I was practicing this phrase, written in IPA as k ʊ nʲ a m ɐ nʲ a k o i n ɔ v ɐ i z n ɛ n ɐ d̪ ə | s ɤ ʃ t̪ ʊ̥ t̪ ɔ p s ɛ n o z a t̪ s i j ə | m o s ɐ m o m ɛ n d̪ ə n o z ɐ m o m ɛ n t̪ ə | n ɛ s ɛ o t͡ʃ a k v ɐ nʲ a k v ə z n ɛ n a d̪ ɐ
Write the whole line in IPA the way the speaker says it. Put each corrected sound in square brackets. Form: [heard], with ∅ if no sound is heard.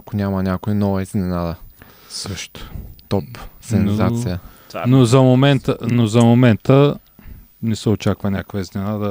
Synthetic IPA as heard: k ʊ nʲ a m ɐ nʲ a k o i n ɔ v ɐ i z n ɛ n [a] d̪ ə | s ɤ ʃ t̪ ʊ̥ t̪ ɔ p s ɛ n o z a t̪ s i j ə | [n] o [z] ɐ m o m ɛ n [t̪] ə n o z ɐ m o m ɛ n t̪ ə | n ɛ s ɛ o t͡ʃ a k v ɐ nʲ a k v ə z n ɛ n a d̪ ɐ